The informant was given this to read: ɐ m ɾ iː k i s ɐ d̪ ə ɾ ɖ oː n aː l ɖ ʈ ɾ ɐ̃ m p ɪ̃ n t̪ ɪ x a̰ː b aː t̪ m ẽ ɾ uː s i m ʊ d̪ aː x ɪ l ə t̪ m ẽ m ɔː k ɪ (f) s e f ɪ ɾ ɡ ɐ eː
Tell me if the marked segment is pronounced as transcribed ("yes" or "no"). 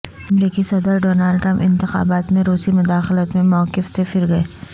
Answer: yes